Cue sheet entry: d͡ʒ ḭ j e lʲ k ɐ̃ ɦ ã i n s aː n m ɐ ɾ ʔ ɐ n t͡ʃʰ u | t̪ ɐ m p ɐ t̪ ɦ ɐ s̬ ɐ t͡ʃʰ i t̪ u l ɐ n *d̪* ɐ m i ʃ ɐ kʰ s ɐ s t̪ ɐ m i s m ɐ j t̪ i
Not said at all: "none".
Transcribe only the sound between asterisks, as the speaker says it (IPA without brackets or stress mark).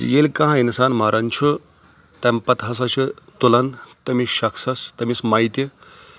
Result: t̪